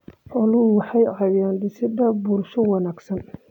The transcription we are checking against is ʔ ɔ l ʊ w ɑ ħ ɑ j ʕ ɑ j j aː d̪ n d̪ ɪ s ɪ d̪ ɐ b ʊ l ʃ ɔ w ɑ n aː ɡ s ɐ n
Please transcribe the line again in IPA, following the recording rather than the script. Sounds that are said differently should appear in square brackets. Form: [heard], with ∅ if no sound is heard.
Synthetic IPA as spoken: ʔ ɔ l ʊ w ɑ ħ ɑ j ʕ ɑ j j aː [∅] n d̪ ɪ s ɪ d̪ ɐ b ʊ l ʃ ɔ w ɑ n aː ɡ s ɐ n